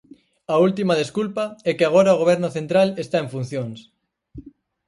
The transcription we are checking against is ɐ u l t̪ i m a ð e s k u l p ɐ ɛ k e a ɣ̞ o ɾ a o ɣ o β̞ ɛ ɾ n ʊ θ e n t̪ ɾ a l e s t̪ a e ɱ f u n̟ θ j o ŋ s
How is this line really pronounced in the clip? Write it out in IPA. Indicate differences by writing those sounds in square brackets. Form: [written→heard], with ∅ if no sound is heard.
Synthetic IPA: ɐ u l t̪ i m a ð e s k u l p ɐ ɛ k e a ɣ̞ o ɾ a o ɣ o β̞ ɛ ɾ n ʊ θ e n t̪ ɾ a l e s t̪ a e ɱ f u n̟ θ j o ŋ s